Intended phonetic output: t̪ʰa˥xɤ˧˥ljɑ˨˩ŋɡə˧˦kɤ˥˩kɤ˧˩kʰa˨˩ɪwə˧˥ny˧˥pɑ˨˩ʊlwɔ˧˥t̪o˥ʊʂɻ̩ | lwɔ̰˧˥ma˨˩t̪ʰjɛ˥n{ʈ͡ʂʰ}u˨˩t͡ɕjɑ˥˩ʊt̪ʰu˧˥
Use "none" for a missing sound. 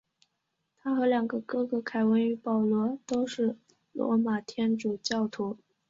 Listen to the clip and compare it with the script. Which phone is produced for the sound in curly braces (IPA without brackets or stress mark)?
ʈ͡ʂ